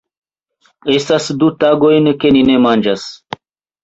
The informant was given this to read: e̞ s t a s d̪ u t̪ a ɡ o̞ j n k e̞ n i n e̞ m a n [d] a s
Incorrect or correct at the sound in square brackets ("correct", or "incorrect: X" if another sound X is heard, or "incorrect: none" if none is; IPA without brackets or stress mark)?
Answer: incorrect: d͡ʒ